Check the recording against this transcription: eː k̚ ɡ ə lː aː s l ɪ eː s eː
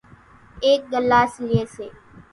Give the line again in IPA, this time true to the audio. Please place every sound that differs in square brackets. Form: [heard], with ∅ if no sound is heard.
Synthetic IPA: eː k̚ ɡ ə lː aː s l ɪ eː s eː